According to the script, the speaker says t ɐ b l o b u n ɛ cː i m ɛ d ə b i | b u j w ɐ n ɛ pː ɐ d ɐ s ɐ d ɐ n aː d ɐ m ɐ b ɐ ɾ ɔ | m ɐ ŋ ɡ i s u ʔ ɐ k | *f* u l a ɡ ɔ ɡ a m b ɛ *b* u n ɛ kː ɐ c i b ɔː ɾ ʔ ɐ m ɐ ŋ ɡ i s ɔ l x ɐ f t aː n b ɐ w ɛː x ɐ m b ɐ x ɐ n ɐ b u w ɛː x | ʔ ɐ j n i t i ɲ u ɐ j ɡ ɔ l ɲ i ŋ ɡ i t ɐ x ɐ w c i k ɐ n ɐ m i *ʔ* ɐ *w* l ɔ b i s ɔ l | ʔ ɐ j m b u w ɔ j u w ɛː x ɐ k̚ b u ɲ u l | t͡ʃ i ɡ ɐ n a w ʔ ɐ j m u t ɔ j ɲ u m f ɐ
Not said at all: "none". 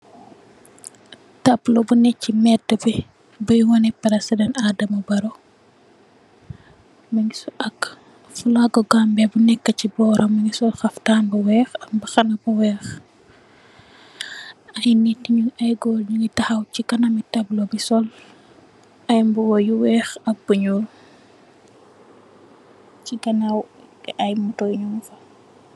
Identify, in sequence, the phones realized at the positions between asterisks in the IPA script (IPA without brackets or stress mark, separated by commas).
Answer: f, b, t, b